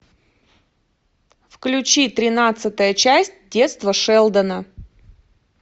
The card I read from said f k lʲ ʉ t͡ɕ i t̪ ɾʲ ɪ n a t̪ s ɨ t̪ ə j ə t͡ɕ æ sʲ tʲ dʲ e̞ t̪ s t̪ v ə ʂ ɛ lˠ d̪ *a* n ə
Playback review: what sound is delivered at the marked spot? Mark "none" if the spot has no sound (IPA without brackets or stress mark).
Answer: ə